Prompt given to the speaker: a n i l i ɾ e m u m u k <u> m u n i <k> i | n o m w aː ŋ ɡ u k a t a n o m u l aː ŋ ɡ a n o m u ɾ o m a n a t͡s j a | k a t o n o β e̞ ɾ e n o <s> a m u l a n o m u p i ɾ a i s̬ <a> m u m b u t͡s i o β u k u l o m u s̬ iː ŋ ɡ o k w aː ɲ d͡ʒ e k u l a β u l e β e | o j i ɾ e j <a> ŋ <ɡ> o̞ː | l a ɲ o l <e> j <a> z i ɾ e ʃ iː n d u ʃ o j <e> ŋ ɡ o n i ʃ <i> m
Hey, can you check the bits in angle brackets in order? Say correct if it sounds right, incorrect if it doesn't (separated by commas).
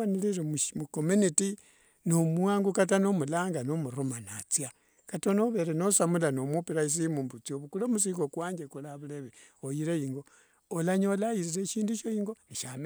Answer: incorrect, incorrect, correct, incorrect, incorrect, correct, incorrect, incorrect, incorrect, incorrect